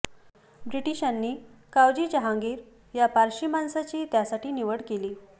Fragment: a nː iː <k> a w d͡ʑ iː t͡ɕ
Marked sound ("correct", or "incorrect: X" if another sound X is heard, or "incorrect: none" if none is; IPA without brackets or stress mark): correct